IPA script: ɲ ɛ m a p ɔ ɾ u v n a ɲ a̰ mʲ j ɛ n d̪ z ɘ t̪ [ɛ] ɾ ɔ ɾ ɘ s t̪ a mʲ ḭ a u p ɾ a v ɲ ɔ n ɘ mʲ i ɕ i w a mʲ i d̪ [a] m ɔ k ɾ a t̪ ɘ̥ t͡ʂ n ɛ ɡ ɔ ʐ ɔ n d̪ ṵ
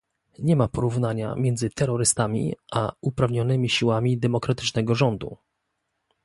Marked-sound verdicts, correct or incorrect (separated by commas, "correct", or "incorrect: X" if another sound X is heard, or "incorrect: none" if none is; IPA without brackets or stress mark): correct, incorrect: ɛ